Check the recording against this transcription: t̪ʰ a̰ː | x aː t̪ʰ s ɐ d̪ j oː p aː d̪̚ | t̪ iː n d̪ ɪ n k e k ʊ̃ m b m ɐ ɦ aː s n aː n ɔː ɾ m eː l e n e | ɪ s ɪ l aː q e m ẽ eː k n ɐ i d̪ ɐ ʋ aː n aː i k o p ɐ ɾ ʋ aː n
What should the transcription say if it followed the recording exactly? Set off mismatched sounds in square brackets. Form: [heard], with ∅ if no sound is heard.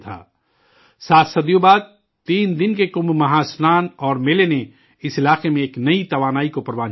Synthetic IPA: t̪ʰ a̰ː | [s] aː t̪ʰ s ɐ d̪ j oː [b] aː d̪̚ | t̪ iː n d̪ ɪ n k e k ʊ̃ m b m ɐ ɦ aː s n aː n ɔː ɾ m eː l e n e | ɪ s ɪ l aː q e m ẽ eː k n ɐ i [t̪] ɐ ʋ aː n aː i k o p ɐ ɾ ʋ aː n